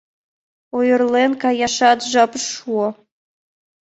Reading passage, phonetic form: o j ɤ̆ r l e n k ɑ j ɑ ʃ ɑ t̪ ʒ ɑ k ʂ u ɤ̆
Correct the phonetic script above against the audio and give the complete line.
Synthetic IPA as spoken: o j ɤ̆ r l e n k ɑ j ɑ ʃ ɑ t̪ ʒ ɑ p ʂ u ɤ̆